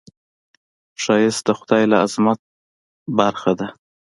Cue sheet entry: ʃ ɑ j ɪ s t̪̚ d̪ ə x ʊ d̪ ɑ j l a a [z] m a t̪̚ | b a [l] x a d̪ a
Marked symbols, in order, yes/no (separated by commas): yes, no